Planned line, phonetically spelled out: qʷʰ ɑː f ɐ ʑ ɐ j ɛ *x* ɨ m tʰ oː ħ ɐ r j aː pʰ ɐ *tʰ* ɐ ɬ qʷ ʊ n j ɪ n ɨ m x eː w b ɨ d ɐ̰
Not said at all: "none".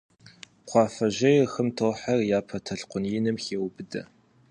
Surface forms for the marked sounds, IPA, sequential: x, tʰ

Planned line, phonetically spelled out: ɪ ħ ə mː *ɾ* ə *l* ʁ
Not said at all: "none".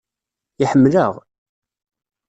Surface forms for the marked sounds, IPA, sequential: l, none

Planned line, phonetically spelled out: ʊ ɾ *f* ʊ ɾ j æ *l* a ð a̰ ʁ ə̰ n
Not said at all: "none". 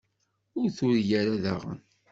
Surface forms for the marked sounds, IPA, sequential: θ, ɾ

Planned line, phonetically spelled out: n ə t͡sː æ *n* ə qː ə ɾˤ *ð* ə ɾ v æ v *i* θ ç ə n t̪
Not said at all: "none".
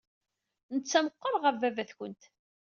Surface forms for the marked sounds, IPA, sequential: m, ʁ, æ

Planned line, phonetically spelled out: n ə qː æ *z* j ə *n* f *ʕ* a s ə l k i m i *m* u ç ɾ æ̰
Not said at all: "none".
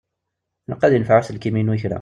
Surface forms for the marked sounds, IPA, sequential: ð, n, ʕ, n

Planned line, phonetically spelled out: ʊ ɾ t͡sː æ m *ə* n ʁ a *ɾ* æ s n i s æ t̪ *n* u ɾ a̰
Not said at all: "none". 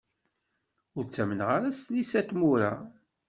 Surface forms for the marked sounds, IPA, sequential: ə, ɾ, m

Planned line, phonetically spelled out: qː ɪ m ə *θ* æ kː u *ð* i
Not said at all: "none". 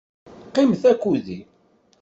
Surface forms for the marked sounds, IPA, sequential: θ, ð

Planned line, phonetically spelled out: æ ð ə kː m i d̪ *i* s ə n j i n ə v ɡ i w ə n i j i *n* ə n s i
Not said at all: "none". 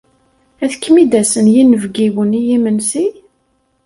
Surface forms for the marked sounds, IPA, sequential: æ, m

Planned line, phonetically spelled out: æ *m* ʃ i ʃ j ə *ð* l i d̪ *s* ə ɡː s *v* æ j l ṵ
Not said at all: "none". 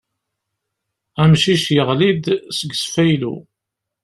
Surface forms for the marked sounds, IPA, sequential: m, ʁ, s, f

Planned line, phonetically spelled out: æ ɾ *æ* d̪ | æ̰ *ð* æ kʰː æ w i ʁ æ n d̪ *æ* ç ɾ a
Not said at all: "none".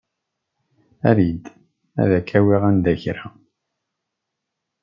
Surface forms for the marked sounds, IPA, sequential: i, ð, æ

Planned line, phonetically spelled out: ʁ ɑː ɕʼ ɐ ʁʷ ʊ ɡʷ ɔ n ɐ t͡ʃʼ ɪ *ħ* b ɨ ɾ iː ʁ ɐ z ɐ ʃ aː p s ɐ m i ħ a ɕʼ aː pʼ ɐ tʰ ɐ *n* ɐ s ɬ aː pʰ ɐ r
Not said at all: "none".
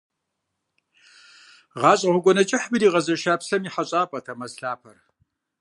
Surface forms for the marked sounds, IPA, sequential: ħ, m

